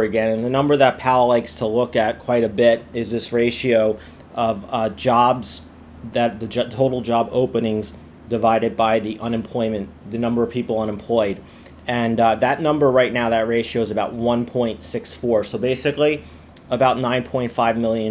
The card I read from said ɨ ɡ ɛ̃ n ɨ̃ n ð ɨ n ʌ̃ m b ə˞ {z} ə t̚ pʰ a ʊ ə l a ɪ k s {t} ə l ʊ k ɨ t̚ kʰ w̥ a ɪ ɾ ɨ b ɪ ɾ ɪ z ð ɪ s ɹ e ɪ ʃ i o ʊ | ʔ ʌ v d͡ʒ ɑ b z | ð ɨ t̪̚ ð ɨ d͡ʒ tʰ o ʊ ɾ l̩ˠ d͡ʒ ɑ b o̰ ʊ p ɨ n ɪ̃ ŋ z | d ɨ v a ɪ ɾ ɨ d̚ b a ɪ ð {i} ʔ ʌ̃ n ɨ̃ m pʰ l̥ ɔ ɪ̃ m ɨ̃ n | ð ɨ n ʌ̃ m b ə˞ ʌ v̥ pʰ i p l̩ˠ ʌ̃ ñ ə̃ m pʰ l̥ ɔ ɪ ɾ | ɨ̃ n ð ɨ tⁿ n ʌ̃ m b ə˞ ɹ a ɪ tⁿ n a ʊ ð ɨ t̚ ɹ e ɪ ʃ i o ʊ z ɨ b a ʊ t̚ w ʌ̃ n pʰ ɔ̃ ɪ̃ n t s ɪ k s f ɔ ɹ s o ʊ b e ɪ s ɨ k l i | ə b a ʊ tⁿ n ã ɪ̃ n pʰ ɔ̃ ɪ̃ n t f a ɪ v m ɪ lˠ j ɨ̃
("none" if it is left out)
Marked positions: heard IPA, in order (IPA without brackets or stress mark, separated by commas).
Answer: ð, tʰ, i